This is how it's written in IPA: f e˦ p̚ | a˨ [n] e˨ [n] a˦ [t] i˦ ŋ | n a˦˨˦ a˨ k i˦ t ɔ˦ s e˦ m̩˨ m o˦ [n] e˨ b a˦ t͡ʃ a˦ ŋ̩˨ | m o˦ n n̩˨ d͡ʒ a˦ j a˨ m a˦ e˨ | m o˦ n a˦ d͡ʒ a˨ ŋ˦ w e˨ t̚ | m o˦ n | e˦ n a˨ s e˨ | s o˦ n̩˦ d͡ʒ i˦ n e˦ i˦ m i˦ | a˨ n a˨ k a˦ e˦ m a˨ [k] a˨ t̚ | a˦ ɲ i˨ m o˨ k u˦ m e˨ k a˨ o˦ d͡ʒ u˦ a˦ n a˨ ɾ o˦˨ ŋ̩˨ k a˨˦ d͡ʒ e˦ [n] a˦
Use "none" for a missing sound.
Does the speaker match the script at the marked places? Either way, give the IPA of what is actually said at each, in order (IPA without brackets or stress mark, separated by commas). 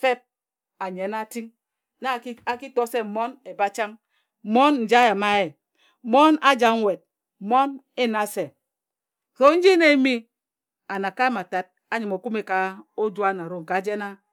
ɲ, n, t, n, t, n